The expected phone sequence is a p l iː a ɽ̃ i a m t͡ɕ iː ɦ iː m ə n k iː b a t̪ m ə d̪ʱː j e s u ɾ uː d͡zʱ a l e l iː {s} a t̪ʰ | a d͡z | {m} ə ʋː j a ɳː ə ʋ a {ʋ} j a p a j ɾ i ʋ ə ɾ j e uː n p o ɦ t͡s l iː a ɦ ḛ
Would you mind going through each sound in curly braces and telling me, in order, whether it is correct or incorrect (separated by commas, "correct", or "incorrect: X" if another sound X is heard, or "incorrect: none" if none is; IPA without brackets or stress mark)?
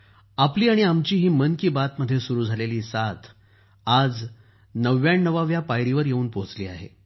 correct, incorrect: n, correct